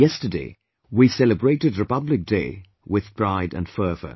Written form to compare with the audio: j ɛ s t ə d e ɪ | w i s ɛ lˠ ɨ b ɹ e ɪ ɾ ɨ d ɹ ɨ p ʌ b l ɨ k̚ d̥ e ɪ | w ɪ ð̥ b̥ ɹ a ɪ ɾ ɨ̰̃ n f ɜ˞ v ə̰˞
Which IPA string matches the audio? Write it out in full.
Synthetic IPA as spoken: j ɛ s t ə d e ɪ | w i s ɛ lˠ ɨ b ɹ e ɪ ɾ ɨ d ɹ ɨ p ʌ b l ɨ k̚ d̥ e ɪ | w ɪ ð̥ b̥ ɹ a ɪ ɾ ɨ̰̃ n f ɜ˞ v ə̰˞